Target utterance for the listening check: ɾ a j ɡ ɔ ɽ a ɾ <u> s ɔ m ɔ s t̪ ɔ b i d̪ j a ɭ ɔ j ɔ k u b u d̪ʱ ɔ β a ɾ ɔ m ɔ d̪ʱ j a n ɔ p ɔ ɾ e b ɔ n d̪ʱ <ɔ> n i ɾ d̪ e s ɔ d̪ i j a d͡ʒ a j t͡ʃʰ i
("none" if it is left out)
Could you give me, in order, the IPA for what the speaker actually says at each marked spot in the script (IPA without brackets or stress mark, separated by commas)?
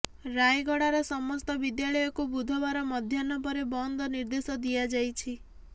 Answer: ɔ, ɔ